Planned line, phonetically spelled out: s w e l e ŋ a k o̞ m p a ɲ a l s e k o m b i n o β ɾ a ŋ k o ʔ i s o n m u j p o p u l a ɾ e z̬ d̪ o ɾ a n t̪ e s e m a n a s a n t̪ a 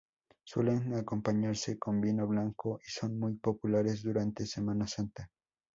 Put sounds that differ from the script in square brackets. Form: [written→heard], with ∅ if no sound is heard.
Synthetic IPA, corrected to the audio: s w e l e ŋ a k o̞ m p a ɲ a [l→ɾ] s e k o m b i n o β [ɾ→l] a ŋ k o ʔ i s o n m u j p o p u l a ɾ e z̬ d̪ [o→u] ɾ a n t̪ e s e m a n a s a n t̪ a